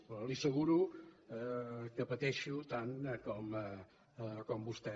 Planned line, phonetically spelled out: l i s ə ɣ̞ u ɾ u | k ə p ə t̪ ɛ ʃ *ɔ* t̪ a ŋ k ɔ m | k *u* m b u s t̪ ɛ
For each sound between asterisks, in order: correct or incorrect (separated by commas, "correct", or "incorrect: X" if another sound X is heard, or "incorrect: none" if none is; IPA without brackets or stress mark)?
incorrect: u, incorrect: ɔ